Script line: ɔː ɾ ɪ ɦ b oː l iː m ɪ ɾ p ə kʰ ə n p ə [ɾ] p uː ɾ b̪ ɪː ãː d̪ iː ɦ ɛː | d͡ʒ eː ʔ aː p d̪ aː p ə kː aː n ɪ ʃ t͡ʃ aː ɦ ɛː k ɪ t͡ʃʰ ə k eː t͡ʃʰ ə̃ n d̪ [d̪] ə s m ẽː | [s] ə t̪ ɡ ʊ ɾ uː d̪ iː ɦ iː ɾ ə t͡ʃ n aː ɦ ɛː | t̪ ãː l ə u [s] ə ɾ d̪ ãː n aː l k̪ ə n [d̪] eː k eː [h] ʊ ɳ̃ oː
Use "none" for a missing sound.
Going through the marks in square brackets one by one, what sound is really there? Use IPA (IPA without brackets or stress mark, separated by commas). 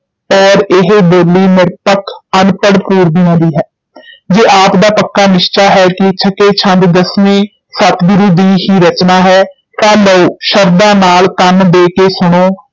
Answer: ɽ, d̪, s, ʃ, d̪, s